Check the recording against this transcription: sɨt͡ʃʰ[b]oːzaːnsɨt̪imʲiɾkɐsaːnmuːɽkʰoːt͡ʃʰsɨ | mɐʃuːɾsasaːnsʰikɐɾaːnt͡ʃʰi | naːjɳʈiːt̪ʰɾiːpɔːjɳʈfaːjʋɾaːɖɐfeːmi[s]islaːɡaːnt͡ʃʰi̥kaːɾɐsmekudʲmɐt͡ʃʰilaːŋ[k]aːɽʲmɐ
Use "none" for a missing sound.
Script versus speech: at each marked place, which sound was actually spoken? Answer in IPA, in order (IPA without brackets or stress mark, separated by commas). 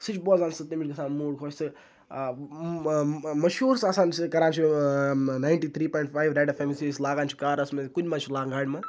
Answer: b, s, ɡ